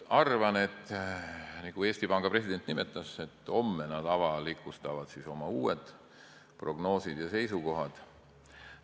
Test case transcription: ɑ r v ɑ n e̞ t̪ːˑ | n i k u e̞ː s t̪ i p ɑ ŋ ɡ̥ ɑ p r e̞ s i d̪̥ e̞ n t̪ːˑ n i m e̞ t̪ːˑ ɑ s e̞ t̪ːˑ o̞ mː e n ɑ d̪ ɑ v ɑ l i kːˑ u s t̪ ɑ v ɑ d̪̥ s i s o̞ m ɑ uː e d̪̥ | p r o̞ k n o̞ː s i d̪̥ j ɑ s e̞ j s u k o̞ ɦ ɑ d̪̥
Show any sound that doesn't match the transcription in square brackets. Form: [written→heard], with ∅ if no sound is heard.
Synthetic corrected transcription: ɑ r v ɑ n e̞ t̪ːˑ | n i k u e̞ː s t̪ i p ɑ ŋ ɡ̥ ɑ p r e̞ s i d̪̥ e̞ n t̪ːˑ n i m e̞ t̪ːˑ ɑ s e̞ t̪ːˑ o̞ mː e n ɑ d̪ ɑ v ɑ l i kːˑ u s t̪ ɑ v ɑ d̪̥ s i s o̞ m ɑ uː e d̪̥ | p r o̞ [k→ɡ] n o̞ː s i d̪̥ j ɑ s e̞ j s u k o̞ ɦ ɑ d̪̥